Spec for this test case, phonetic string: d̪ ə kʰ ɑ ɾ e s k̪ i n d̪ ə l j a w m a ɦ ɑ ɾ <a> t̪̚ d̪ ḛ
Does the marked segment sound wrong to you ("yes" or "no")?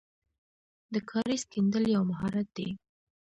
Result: no